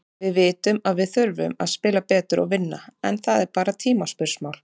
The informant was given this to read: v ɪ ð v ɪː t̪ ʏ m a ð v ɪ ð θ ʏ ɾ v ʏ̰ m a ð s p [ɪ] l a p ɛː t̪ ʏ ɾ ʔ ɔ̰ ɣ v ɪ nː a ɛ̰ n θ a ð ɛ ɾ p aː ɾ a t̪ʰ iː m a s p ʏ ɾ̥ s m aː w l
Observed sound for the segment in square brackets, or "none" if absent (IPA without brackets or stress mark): ɪː